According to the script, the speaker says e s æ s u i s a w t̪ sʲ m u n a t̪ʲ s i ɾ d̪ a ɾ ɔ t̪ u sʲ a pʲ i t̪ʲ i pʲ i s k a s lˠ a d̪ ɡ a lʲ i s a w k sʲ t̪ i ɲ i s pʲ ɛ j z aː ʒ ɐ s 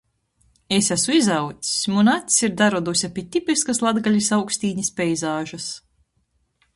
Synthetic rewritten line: e s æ s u i z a w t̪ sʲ m u n a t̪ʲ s i ɾ d̪ a ɾ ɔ d̪ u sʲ a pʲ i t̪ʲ i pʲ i s k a s lˠ a d̪ ɡ a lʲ i s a w k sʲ t̪ iː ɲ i s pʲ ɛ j z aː ʒ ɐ s